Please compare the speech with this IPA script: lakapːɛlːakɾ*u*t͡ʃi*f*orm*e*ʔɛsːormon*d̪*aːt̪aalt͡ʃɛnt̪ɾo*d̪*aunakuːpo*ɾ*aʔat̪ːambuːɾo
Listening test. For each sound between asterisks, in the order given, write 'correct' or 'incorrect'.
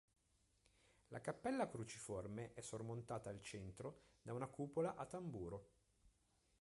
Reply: correct, correct, correct, incorrect: t̪, correct, incorrect: l

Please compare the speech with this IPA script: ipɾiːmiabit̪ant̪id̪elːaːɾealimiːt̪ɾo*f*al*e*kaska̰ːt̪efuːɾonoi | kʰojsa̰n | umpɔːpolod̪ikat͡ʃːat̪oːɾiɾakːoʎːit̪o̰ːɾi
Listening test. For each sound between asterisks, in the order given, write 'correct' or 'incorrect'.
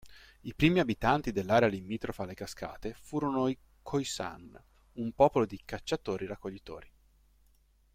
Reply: correct, correct

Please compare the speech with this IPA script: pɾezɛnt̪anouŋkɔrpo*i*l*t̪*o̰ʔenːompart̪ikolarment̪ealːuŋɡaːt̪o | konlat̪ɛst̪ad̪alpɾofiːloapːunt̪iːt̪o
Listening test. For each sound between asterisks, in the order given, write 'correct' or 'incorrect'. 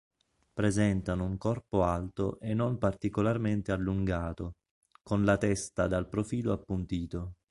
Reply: incorrect: a, correct

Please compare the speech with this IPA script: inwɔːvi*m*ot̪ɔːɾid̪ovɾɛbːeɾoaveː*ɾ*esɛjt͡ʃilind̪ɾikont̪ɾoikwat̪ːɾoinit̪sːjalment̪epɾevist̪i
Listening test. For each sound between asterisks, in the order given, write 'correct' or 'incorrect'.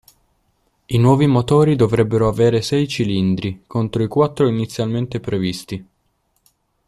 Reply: correct, correct

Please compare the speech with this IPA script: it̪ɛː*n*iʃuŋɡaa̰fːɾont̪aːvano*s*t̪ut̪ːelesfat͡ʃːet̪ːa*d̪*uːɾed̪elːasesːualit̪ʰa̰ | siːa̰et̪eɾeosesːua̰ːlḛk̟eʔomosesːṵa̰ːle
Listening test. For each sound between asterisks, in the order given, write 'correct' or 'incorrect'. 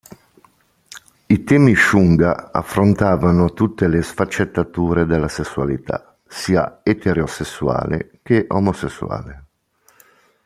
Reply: incorrect: m, incorrect: none, incorrect: t̪

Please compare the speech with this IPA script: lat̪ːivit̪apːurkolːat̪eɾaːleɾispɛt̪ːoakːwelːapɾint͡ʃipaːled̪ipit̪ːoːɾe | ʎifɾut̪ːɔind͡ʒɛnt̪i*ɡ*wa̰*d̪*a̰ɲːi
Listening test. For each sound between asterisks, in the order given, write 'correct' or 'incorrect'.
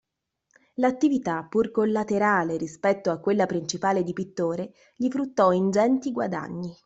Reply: correct, correct

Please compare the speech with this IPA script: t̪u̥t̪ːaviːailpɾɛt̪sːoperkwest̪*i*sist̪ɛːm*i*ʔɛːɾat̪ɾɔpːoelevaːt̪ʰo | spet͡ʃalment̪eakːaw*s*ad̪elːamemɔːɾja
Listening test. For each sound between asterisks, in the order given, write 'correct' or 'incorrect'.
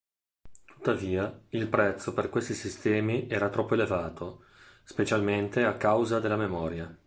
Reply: correct, correct, incorrect: z

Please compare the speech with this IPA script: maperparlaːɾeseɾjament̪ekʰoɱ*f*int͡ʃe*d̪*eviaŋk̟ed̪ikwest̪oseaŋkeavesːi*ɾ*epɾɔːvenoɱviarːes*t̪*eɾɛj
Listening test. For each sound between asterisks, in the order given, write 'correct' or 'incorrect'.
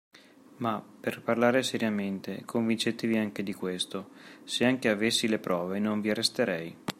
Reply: incorrect: v, incorrect: t̪, incorrect: l, correct

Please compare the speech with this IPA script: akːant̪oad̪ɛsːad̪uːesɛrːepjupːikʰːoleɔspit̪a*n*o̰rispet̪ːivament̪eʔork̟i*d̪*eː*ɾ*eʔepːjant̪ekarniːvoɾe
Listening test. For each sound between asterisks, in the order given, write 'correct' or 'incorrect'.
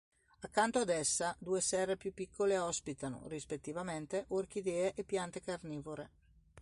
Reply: correct, correct, incorrect: none

